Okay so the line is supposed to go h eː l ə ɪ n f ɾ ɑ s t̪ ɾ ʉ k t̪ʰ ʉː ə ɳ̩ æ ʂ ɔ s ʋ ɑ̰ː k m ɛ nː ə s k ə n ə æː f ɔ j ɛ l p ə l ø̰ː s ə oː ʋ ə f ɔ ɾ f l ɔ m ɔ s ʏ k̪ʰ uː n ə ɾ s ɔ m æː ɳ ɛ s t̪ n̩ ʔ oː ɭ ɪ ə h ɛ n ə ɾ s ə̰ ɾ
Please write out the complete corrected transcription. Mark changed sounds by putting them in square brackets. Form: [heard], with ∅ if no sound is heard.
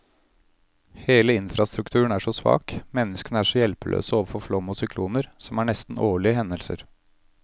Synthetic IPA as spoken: h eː l ə ɪ n f ɾ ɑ s t̪ ɾ ʉ k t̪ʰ ʉː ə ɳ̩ æ ʂ ɔ s ʋ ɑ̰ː k m ɛ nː ə s k ə n ə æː [ʂ] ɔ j ɛ l p ə l ø̰ː s ə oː ʋ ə f ɔ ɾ f l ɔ m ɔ s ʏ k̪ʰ uː n ə ɾ s ɔ m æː ɳ ɛ s t̪ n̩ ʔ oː ɭ ɪ ə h ɛ n ə [l] s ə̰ ɾ